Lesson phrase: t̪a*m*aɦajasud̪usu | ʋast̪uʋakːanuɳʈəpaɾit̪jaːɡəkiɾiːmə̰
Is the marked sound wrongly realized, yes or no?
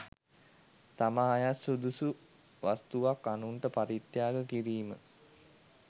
no